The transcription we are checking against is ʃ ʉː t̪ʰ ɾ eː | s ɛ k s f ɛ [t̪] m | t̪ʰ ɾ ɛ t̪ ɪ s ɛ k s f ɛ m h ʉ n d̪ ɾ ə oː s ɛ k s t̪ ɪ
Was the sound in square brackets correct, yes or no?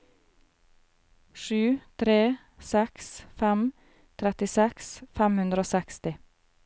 no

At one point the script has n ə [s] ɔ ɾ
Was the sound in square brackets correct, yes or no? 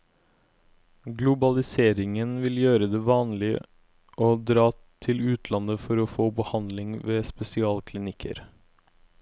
no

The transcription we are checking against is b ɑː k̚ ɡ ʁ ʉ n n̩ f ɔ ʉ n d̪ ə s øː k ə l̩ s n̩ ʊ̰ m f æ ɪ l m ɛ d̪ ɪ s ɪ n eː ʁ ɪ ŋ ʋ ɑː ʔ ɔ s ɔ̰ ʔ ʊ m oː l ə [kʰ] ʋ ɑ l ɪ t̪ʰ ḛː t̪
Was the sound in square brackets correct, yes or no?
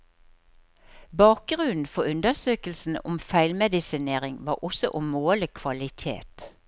yes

